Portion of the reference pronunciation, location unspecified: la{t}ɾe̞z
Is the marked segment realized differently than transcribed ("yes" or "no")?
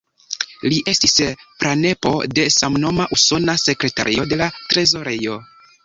no